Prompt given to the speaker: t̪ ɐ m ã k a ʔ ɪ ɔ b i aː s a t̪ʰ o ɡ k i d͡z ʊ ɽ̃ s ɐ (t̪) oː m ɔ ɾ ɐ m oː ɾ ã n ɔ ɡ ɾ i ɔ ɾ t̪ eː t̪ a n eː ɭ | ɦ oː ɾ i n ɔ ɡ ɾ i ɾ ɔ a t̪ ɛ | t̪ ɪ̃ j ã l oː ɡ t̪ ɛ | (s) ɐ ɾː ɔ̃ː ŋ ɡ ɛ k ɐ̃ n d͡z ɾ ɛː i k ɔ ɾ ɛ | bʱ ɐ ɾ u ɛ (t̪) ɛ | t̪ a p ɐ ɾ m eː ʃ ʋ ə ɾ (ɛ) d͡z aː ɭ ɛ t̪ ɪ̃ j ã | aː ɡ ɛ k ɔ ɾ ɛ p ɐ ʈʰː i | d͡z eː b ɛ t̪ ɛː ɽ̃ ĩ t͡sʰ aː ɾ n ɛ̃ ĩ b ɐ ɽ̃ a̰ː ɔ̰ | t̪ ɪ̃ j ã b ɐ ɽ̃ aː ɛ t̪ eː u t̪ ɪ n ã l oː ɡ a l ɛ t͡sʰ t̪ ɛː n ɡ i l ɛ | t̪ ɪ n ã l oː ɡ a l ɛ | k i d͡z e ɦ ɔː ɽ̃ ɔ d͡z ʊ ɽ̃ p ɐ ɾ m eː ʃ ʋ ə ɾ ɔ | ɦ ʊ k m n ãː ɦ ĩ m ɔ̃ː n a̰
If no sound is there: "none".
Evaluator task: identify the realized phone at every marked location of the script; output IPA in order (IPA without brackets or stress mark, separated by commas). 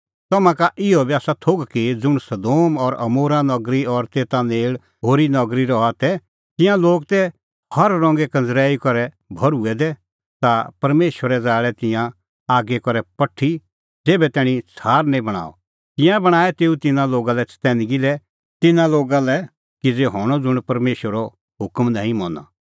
d̪, h, d̪, ɛ